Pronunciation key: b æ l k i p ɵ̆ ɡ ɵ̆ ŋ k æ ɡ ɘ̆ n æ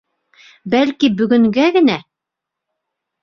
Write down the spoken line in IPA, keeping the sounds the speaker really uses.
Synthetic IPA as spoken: b æ l k i b ɵ̆ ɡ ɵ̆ ŋ ɡ æ ɡ ɘ̆ n æ